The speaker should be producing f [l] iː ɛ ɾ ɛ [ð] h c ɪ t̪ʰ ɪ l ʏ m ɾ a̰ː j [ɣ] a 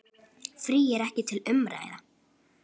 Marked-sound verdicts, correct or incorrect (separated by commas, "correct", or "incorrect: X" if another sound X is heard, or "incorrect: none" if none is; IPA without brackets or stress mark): incorrect: ɾ, incorrect: none, incorrect: ð